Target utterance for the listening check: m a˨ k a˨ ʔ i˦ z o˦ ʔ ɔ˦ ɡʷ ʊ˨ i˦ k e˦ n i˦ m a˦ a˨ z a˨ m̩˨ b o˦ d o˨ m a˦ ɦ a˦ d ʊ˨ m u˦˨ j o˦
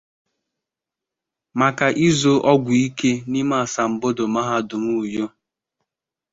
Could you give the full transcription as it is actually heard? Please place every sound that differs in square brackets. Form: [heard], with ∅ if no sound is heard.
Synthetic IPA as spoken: m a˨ k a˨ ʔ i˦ z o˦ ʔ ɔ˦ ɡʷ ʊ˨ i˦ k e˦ n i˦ m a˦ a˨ [s] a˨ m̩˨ b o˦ d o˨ m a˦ ɦ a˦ d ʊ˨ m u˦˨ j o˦